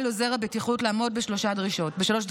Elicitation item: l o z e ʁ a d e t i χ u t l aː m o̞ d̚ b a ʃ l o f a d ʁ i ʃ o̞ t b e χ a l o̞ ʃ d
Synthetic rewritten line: l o z e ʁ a b e t i χ u t l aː m o̞ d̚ b e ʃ l o ʃ a d ʁ i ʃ o̞ t b e ʃ a l o̞ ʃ d